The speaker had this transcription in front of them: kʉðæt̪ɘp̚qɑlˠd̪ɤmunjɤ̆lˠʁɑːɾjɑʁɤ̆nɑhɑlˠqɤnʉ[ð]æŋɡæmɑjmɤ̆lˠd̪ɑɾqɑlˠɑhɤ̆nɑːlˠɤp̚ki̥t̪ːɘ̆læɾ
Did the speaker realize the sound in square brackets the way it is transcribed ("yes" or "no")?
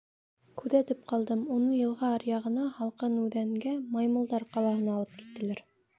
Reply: yes